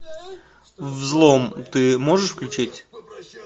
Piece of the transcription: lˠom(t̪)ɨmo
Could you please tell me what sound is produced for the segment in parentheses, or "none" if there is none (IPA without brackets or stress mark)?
t̪